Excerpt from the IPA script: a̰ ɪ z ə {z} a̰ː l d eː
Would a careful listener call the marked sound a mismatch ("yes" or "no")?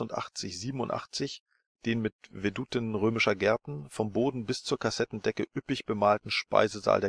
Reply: no